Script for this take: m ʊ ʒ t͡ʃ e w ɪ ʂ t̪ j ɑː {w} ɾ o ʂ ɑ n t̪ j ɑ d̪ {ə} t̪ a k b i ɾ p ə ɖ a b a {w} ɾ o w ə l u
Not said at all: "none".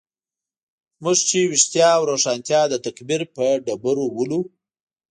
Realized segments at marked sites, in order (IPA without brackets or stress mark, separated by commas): w, ə, none